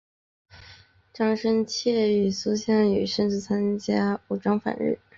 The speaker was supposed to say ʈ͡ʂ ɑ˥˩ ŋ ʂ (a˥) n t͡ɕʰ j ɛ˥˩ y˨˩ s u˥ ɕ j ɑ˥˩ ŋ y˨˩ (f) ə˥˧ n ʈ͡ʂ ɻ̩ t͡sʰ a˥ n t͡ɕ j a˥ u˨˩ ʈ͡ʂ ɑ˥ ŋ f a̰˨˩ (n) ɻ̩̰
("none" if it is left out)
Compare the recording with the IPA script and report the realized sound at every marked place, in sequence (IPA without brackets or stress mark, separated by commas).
ə˥, ʂ, n